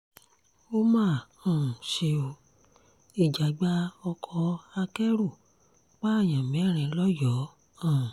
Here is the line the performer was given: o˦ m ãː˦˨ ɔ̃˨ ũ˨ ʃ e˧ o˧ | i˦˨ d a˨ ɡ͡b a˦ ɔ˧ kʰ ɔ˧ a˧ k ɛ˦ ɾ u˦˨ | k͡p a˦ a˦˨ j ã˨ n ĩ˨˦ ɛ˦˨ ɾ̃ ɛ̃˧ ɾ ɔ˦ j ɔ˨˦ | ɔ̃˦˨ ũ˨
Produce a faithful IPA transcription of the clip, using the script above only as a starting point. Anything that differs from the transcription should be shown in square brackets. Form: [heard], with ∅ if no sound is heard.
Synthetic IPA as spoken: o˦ m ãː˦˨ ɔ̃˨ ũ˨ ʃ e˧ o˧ | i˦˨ [d͡ʒ] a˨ ɡ͡b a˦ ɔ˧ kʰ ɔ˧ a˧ k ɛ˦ ɾ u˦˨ | k͡p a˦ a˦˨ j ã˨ [m] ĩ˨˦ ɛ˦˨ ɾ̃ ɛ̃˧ [l] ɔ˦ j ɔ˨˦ | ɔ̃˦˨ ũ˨